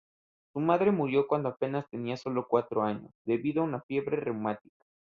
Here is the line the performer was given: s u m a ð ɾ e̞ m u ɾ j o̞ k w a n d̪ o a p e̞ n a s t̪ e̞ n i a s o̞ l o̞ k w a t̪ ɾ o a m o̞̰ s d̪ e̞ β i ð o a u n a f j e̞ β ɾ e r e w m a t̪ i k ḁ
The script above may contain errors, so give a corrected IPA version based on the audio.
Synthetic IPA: s u m a ð ɾ e̞ m u ɾ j o̞ k w a n d̪ o a p e̞ n a s t̪ e̞ n i a s o̞ l o̞ k w a t̪ ɾ o a ɲ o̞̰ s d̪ e̞ β i ð o a u n a f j e̞ β ɾ e r e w m a t̪ i k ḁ